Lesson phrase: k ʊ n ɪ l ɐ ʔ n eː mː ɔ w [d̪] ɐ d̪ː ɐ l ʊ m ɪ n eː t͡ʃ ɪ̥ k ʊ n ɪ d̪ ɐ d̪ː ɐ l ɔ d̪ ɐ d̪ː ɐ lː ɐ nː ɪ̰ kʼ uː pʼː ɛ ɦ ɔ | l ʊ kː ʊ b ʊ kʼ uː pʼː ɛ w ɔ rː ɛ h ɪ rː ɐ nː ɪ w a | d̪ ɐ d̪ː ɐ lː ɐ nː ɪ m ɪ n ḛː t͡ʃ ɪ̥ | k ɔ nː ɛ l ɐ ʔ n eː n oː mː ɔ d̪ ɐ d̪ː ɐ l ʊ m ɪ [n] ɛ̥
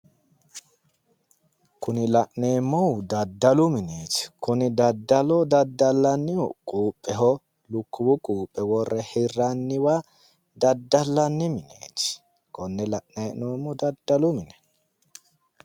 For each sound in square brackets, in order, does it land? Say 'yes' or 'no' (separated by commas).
yes, yes